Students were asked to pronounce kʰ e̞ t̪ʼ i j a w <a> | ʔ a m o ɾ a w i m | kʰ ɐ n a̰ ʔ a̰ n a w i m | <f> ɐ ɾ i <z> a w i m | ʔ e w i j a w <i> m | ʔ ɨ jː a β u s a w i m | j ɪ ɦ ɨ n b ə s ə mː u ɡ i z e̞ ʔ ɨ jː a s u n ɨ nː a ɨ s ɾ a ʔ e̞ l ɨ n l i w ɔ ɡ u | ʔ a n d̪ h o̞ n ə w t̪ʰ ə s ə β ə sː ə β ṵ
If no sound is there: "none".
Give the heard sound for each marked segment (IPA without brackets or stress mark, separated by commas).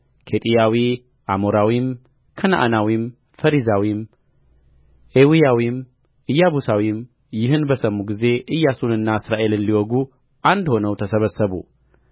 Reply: i, f, z, i